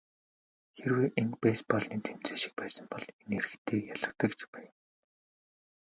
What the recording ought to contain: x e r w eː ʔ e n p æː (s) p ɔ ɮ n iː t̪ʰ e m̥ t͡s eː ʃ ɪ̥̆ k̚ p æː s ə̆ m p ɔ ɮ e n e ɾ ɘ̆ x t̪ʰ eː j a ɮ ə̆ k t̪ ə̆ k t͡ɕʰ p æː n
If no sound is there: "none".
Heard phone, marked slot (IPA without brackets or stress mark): s